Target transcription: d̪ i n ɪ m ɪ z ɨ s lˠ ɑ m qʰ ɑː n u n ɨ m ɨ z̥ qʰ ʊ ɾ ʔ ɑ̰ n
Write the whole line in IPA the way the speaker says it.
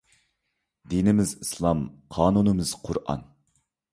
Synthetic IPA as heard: d̪ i n ɪ m ɪ z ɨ s lˠ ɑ m qʰ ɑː n u n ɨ m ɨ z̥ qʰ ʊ ɾ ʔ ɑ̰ n

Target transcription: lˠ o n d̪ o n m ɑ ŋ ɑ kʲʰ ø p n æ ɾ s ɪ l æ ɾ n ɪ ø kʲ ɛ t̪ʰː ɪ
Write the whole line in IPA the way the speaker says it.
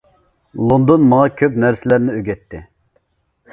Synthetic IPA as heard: lˠ o n d̪ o n m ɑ ŋ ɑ kʲʰ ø p n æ ɾ s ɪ l æ ɾ n ɪ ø ɡʲ ɛ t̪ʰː ɪ

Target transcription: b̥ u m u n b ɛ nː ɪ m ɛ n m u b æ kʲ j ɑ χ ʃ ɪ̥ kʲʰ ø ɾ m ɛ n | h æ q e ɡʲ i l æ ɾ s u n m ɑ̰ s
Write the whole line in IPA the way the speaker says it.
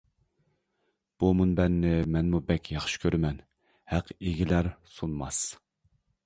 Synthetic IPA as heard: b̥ u m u n b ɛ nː ɪ m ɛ n m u b ɛ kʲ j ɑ χ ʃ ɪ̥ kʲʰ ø ɾ m ɛ n | h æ q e ɡʲ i l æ ɾ s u n m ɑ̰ s

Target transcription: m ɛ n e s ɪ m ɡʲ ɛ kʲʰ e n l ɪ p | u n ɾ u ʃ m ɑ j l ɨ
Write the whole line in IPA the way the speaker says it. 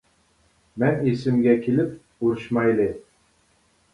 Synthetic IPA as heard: m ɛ n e s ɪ m ɡʲ ɛ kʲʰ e l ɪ p | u ɾ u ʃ m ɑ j l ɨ

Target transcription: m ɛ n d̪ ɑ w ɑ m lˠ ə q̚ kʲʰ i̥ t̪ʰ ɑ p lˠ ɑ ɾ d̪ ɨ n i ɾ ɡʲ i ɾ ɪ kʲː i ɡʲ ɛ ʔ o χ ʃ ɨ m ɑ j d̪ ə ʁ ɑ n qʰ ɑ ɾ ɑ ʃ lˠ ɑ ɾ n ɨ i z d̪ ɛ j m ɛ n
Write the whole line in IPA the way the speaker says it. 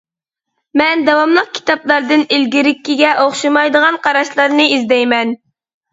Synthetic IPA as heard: m ɛ n d̪ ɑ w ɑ m lˠ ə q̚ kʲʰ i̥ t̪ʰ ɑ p lˠ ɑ ɾ d̪ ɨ n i l ɡʲ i ɾ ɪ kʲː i ɡʲ ɛ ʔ o χ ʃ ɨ m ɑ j d̪ ə ʁ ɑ n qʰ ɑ ɾ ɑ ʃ lˠ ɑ ɾ n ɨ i z d̪ ɛ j m ɛ n

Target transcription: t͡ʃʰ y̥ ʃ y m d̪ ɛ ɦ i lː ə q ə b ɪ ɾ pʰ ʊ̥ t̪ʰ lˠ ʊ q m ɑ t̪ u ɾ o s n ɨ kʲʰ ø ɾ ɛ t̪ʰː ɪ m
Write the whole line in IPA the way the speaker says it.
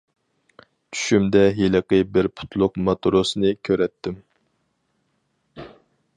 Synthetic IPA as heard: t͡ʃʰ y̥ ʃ y m d̪ ɛ ɦ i l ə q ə b ɪ ɾ pʰ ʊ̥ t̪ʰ lˠ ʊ q m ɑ t̪ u ɾ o s n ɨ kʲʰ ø ɾ ɛ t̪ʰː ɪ m

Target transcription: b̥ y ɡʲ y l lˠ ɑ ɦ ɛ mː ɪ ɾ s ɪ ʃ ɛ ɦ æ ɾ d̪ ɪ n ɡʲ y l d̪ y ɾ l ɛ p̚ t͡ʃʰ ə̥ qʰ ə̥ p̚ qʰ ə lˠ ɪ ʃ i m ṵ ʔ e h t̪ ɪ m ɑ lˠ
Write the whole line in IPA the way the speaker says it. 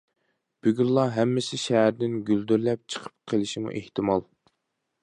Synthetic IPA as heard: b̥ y ɡʲ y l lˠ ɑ ɦ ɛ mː ɪ s ɪ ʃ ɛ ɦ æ ɾ d̪ ɪ n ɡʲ y l d̪ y ɾ l ɛ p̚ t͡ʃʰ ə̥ qʰ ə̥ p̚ qʰ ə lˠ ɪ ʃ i m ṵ ʔ e h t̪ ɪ m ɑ lˠ

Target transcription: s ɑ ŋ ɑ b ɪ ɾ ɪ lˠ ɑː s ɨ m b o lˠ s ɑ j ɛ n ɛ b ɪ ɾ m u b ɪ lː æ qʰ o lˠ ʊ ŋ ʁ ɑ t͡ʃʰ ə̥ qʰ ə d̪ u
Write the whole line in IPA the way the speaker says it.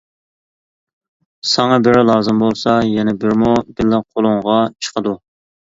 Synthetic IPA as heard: s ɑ ŋ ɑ b ɪ ɾ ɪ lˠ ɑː z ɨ m b o lˠ s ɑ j ɛ n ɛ b ɪ ɾ m u b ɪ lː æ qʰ o lˠ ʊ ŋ ʁ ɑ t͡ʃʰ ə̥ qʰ ə d̪ u

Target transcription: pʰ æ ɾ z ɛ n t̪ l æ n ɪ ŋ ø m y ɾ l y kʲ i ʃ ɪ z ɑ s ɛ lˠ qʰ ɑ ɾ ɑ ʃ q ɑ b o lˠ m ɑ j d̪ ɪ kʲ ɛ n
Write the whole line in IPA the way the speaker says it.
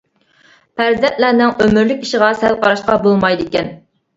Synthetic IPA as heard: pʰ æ ɾ z ɛ n t̪ l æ n ɪ ŋ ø m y ɾ l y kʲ i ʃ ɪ ʁ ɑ s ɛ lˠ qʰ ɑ ɾ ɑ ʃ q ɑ b o lˠ m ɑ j d̪ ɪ kʲ ɛ n

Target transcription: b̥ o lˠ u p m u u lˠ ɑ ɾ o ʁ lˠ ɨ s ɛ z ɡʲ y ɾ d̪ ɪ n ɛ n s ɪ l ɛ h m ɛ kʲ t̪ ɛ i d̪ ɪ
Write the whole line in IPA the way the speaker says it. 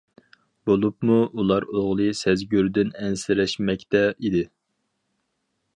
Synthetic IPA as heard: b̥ o lˠ u p m u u lˠ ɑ ɾ o ʁ lˠ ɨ s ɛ z ɡʲ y ɾ d̪ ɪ n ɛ n s ɪ ɾ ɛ ʃ m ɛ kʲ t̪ ɛ i d̪ ɪ

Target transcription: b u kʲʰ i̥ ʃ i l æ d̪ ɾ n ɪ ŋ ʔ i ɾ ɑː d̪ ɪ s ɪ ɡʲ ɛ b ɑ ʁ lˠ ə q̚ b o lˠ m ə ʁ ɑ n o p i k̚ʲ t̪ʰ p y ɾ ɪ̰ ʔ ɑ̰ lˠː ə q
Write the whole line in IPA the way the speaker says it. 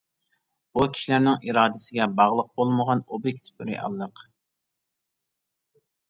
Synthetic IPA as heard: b u kʲʰ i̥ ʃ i l æ ɾ n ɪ ŋ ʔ i ɾ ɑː d̪ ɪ s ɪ ɡʲ ɛ b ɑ ʁ lˠ ə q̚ b o lˠ m ə ʁ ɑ n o b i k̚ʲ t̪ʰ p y ɾ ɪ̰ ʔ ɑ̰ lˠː ə q

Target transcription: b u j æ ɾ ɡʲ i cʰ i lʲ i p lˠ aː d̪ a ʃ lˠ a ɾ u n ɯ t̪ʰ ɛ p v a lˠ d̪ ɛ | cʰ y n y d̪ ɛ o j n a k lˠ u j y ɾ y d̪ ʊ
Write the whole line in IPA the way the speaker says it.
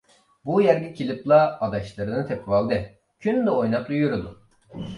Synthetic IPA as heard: b u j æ ɾ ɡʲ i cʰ i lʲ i p lˠ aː d̪ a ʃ lˠ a ɾ ɯ n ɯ t̪ʰ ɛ p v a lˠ d̪ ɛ | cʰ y n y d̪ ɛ o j n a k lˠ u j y ɾ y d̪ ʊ

